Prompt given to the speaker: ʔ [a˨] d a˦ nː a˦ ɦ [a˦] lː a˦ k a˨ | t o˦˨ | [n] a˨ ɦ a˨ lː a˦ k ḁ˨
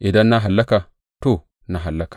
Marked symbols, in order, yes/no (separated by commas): no, no, yes